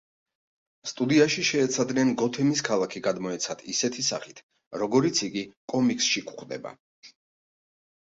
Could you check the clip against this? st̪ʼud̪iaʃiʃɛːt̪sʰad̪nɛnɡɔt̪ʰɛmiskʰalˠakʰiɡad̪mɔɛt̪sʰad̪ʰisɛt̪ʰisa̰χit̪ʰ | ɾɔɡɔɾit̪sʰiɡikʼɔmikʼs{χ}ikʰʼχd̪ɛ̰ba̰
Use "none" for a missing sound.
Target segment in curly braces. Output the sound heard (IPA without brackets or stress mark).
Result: ʃ